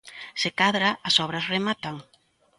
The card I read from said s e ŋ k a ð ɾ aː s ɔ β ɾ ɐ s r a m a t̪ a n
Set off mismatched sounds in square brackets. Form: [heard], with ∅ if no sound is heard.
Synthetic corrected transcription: s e [∅] k a ð ɾ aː s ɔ β ɾ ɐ s r [e] m a t̪ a [ŋ]